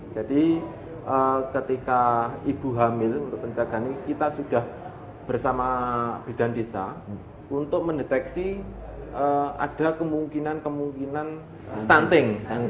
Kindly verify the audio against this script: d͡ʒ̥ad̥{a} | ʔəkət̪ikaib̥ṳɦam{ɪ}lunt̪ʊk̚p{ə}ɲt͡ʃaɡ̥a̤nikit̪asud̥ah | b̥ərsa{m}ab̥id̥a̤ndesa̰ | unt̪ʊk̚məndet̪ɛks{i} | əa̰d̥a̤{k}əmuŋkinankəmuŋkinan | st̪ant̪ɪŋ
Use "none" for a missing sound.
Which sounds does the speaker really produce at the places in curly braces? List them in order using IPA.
i, ɪ, ə, m, i, k

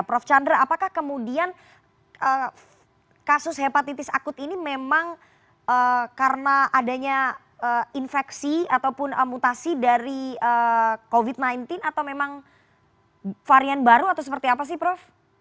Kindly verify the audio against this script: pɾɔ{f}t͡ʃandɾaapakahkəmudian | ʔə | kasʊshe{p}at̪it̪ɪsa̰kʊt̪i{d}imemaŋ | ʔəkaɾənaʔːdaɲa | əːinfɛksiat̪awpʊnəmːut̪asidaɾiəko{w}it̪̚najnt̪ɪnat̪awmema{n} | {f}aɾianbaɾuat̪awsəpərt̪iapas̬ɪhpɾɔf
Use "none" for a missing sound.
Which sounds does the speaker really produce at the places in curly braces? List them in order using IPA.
f, p, n, v, ŋ, f

